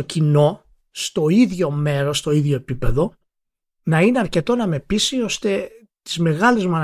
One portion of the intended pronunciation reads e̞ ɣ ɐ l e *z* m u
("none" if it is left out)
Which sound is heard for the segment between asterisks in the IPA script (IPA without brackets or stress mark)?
z